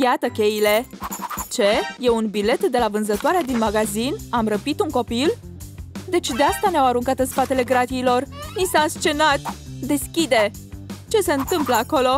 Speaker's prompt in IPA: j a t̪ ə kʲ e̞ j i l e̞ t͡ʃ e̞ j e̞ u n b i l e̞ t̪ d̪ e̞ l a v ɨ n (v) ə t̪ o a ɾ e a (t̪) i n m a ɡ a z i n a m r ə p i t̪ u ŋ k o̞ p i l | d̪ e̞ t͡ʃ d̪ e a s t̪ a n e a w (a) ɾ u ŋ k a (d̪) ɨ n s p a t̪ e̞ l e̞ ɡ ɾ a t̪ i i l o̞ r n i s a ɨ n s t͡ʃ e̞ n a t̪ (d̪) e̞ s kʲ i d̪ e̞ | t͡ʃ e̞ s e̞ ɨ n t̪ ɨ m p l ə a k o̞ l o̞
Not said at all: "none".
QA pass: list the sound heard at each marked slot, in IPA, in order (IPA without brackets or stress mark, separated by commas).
z, d̪, a, t̪, d̪